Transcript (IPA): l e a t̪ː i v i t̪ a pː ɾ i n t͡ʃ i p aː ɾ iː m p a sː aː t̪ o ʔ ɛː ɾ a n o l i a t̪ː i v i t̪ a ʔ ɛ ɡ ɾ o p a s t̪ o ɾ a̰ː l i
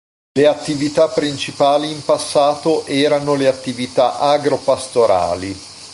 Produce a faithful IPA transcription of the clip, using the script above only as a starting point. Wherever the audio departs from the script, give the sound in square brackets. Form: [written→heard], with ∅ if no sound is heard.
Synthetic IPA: l e a t̪ː i v i t̪ a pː ɾ i n t͡ʃ i p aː [ɾ→l] iː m p a sː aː t̪ o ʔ ɛː ɾ a n o l [i→e] a t̪ː i v i t̪ a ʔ [ɛ→a] ɡ ɾ o p a s t̪ o ɾ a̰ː l i